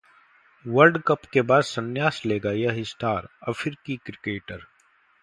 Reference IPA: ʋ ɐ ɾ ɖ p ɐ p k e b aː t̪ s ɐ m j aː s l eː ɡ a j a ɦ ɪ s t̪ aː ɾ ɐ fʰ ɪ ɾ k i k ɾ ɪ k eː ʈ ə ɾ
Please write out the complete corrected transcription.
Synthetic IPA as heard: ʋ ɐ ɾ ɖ k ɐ p k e b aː d̪ s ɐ n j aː s l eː ɡ a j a ɦ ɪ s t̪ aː ɾ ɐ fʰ ɪ ɾ k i k ɾ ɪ k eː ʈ ə ɾ